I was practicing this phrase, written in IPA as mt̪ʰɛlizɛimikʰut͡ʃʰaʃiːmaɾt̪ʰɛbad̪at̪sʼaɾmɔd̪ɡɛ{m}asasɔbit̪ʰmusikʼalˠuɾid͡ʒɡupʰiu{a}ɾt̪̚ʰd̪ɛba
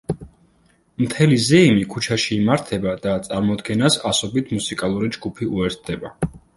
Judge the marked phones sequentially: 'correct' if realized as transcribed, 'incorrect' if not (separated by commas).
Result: incorrect, incorrect